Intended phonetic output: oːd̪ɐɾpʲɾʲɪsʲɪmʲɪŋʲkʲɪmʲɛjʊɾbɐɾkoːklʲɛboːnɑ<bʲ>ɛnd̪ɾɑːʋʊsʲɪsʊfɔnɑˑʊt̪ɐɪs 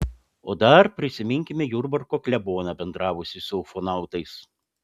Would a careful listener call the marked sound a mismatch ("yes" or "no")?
no